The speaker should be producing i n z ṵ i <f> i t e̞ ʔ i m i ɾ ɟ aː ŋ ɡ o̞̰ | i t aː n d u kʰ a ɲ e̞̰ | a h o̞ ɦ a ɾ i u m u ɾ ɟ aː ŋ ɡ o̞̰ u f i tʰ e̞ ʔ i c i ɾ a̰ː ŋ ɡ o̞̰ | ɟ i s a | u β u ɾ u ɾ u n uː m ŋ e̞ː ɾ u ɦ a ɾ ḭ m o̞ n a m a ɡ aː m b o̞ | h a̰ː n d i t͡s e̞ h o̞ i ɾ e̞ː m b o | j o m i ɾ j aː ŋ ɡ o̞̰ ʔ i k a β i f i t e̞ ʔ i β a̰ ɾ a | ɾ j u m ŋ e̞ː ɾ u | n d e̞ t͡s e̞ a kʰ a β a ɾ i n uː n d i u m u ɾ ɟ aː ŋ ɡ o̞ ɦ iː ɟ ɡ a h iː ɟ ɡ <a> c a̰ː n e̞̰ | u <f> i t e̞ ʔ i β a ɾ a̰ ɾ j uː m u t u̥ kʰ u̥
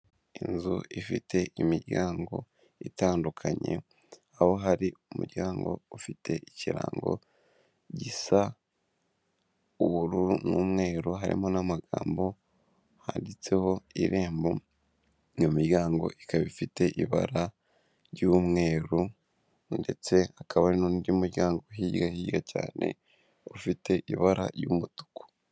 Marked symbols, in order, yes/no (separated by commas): yes, yes, yes